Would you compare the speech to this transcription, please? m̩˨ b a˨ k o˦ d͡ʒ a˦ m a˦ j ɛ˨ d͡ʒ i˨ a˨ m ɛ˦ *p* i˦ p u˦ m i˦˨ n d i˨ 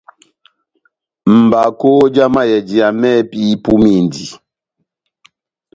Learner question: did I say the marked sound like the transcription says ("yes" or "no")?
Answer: yes